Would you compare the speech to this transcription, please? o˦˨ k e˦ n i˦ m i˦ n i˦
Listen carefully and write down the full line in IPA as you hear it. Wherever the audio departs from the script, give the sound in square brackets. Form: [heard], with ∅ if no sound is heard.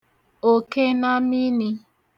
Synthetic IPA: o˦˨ k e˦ n [a˦] m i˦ n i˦